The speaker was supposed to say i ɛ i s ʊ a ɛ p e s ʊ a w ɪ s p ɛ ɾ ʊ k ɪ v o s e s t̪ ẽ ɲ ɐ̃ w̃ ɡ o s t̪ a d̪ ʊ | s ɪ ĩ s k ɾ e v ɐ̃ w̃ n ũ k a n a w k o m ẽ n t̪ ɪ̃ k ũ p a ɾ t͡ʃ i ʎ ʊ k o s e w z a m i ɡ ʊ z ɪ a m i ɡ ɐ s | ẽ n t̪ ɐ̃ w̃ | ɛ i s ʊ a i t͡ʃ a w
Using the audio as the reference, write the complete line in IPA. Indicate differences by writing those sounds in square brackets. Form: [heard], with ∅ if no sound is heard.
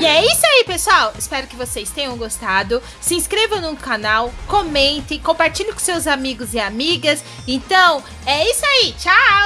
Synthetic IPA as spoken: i ɛ i s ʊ a [i] p e s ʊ a w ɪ s p ɛ ɾ ʊ k ɪ v o s e s t̪ ẽ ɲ ɐ̃ w̃ ɡ o s t̪ a d̪ ʊ | s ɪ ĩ s k ɾ e v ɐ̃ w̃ n ũ k a n a w k o m ẽ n t̪ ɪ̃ k [õ] p a ɾ t͡ʃ i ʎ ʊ k [õ] s e w z a m i ɡ ʊ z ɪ a m i ɡ ɐ s | ẽ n t̪ ɐ̃ w̃ | ɛ i s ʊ a i t͡ʃ a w